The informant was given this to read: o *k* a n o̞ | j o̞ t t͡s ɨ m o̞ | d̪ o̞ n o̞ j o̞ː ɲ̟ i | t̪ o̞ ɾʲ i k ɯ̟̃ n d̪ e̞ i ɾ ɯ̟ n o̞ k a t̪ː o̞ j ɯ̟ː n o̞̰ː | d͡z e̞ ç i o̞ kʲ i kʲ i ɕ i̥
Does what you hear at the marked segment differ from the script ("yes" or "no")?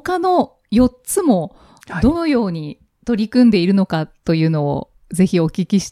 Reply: no